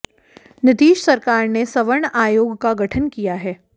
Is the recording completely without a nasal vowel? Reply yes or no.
yes